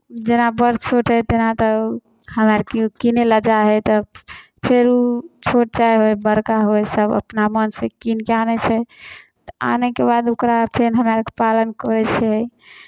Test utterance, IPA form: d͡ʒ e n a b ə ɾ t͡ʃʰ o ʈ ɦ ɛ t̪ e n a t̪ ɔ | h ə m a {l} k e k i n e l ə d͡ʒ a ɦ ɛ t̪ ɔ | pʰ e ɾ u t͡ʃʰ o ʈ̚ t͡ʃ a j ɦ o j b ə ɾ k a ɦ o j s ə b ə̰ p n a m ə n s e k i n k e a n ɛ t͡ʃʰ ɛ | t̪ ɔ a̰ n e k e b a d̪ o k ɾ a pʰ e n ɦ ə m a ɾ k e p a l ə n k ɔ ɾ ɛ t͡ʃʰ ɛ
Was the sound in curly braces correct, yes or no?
no